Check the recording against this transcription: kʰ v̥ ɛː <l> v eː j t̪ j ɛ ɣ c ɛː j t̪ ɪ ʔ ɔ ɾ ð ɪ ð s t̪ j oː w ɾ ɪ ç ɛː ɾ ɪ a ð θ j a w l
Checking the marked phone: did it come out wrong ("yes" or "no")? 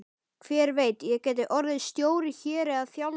yes